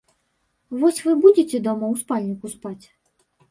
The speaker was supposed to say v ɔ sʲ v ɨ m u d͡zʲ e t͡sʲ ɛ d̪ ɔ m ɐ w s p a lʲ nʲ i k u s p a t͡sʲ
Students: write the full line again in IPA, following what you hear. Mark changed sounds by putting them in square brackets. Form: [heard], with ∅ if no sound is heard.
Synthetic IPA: v ɔ sʲ v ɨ [b] u d͡zʲ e t͡sʲ ɛ d̪ ɔ m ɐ w s p a lʲ nʲ i k u s p a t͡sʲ